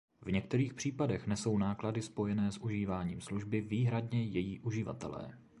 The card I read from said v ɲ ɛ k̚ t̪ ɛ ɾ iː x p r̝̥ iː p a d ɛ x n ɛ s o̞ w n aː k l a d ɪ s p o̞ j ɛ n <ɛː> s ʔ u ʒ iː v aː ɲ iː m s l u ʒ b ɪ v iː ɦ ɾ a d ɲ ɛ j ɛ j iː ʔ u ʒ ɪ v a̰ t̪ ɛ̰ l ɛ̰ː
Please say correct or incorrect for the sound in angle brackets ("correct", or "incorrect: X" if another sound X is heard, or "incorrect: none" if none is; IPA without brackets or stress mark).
correct